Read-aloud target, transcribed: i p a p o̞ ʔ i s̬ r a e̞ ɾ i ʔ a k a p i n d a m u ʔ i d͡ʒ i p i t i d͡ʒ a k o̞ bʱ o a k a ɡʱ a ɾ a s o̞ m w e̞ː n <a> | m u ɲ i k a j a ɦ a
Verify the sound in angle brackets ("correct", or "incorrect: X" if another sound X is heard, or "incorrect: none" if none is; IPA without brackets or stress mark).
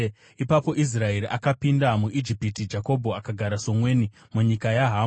incorrect: i